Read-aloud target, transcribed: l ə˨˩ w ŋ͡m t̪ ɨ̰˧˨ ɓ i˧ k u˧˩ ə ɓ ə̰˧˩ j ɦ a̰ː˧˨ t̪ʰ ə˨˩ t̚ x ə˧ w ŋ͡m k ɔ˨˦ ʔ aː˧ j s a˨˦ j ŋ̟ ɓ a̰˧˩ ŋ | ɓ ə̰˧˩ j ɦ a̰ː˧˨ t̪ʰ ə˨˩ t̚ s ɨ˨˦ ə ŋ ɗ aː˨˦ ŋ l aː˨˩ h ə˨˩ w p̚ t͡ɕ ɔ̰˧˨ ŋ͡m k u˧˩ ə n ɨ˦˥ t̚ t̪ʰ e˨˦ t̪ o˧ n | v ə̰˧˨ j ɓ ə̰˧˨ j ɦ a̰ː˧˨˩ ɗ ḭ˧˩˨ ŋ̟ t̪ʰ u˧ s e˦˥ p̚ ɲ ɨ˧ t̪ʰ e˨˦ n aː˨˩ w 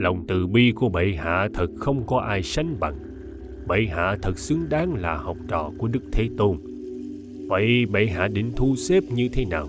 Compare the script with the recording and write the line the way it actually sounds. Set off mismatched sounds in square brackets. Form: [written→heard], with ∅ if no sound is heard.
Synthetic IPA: l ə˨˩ w ŋ͡m t̪ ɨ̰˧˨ ɓ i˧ k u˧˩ ə ɓ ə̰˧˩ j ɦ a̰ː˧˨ t̪ʰ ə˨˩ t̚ x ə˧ w ŋ͡m k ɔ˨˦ ʔ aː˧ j s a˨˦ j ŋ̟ ɓ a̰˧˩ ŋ | ɓ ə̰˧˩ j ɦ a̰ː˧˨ t̪ʰ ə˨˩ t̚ s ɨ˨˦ ə ŋ ɗ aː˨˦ ŋ l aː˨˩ h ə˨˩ w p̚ t͡ɕ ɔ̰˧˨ [ŋ͡m→∅] k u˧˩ ə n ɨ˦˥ [t̚→k̚] t̪ʰ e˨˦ t̪ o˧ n | v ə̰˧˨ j ɓ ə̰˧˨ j ɦ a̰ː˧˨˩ ɗ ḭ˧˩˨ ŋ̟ t̪ʰ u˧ s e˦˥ p̚ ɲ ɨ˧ t̪ʰ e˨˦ n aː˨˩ w